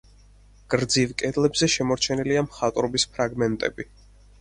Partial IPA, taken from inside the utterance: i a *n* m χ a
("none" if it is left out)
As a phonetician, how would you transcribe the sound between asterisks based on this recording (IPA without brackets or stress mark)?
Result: none